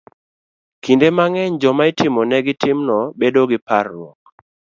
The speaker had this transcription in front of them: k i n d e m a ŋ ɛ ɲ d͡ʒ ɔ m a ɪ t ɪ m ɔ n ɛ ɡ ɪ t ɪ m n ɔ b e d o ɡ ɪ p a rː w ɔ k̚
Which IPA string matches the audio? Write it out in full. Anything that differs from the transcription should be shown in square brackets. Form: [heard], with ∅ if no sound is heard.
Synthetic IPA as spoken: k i n d e m a ŋ ɛ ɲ d͡ʒ ɔ m a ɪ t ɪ m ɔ n ɛ ɡ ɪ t ɪ m n ɔ b e d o ɡ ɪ p a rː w ɔ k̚